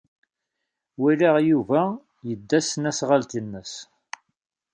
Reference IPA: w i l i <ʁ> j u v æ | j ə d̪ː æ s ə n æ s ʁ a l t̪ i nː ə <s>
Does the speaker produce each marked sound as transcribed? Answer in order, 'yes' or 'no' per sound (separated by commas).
yes, yes